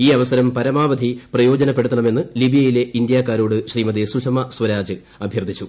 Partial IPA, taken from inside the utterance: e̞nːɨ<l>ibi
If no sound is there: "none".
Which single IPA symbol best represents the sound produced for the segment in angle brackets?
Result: l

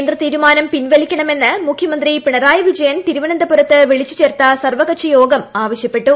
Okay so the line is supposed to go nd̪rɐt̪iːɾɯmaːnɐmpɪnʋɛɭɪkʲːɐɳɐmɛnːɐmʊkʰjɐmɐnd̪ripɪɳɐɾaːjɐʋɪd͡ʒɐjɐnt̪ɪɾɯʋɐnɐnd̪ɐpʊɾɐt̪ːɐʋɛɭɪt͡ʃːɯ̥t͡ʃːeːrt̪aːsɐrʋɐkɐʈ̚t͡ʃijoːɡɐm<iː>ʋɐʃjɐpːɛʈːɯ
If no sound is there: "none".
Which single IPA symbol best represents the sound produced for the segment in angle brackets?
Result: aː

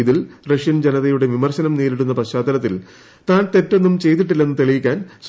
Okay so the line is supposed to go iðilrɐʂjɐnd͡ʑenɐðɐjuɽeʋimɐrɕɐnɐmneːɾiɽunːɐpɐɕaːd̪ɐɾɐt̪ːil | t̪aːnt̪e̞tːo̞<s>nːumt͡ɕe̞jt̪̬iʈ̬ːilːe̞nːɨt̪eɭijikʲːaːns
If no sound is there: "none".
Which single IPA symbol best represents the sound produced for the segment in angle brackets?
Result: none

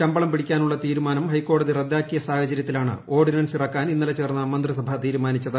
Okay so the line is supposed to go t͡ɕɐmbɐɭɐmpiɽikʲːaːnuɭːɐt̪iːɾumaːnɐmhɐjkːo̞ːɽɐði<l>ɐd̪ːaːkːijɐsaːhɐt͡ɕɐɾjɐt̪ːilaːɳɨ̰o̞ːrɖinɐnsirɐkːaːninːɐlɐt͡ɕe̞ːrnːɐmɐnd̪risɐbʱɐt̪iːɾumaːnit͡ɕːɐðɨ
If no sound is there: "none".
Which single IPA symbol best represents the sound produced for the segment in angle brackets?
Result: r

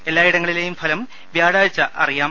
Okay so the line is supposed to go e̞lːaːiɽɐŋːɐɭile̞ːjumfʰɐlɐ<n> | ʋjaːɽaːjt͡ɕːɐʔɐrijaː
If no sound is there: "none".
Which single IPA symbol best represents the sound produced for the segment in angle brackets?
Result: m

